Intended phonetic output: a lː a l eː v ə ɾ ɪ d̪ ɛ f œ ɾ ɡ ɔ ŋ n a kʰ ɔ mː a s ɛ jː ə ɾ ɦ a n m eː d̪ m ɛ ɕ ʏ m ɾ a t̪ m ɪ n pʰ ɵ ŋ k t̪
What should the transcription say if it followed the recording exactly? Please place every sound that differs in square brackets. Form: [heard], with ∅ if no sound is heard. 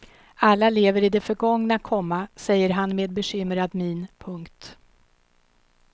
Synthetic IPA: a lː a l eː v ə ɾ ɪ d̪ ɛ f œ ɾ ɡ ɔ ŋ n a kʰ ɔ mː a s ɛ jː ə ɾ ɦ a n m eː d̪ [b] ɛ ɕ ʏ m ɾ a [d̪] m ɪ n pʰ ɵ ŋ k t̪